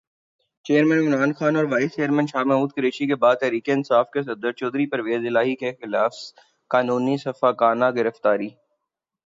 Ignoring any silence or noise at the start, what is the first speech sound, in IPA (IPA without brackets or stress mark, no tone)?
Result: t͡ʃ